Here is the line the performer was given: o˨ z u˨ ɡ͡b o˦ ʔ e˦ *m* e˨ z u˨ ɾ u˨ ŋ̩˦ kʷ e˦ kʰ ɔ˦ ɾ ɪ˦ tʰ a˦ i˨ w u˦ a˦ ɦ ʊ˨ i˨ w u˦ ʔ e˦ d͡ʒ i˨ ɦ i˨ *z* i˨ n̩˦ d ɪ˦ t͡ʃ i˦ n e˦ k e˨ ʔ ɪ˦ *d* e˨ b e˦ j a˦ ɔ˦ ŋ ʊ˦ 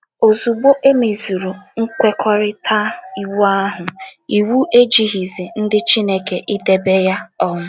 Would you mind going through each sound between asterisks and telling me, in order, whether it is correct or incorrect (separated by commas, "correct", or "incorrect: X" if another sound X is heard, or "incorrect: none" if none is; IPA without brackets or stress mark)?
correct, correct, correct